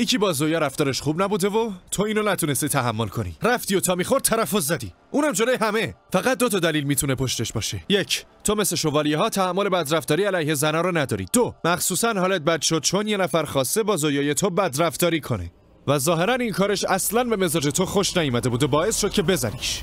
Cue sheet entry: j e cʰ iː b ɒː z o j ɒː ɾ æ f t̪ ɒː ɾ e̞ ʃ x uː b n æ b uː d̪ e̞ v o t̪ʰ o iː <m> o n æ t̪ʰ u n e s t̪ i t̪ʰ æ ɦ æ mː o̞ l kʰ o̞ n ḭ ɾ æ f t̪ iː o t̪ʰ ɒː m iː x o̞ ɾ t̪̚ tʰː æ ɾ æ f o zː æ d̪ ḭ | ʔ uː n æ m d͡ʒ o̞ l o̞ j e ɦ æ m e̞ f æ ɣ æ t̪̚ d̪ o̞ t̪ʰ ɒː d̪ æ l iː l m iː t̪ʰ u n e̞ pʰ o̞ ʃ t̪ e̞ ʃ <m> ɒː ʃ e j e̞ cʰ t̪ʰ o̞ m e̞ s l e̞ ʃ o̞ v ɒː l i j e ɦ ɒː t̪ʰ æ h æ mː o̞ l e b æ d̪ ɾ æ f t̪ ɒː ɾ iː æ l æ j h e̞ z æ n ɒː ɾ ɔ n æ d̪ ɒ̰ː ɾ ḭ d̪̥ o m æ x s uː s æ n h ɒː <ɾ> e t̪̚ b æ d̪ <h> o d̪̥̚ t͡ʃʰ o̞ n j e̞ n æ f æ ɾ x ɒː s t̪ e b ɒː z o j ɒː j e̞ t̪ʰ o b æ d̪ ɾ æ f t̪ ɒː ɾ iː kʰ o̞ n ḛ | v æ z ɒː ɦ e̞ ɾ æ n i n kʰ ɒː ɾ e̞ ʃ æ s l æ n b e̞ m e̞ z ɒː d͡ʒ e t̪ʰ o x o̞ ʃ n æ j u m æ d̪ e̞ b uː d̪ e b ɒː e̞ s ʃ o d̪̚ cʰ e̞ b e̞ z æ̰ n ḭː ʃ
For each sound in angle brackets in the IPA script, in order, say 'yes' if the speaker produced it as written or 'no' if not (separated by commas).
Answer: no, no, no, no